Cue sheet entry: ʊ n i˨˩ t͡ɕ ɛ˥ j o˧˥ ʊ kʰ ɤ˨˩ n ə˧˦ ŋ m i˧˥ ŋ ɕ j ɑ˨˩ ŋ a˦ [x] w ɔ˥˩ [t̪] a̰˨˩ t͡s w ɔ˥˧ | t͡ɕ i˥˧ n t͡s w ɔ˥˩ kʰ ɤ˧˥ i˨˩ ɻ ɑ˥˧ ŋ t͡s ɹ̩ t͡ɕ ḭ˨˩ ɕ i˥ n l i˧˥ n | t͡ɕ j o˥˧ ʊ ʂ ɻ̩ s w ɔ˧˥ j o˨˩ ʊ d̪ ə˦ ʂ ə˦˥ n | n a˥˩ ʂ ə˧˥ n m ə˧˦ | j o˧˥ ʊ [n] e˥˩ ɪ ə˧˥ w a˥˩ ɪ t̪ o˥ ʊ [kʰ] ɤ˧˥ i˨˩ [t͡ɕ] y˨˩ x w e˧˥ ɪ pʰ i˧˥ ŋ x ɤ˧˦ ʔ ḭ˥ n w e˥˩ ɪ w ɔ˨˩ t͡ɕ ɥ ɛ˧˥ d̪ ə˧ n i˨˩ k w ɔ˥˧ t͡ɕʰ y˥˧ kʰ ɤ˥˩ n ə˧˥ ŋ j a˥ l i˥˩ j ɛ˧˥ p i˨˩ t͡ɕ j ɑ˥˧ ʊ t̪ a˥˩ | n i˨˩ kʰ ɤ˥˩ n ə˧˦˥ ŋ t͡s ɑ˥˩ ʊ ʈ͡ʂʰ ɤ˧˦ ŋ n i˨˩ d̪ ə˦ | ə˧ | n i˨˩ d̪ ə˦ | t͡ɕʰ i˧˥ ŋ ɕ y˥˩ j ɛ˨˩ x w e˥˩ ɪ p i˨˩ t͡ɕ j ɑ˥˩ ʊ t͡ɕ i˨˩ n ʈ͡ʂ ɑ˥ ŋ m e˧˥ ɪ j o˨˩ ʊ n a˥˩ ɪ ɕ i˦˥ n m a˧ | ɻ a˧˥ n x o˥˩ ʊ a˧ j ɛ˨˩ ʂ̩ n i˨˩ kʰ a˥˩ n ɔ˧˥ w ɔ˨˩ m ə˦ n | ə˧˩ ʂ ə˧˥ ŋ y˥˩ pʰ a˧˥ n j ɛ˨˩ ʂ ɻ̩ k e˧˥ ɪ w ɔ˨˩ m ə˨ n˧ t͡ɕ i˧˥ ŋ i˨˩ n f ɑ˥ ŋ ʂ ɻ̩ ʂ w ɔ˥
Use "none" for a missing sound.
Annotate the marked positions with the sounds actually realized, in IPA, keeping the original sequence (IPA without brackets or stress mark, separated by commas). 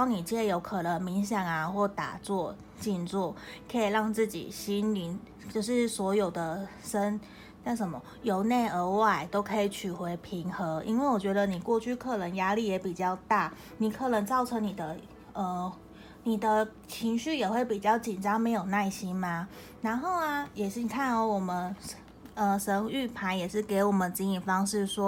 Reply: x, t̪, n, kʰ, t͡ɕʰ